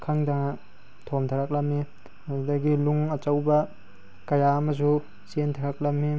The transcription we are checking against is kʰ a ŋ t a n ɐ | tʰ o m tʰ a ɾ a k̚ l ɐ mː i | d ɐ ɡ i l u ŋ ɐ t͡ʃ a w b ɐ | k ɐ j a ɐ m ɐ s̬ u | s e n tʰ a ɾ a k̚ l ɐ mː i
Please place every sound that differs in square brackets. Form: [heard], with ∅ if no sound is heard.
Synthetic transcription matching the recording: kʰ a ŋ [d] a [ŋ] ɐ | tʰ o m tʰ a ɾ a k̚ l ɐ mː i | d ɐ ɡ i l u ŋ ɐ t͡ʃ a w b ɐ | k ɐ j a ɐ m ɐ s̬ u | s e n tʰ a ɾ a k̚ l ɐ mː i